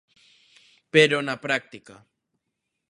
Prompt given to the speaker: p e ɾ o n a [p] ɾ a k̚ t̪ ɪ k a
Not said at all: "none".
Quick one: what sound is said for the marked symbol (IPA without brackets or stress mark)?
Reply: p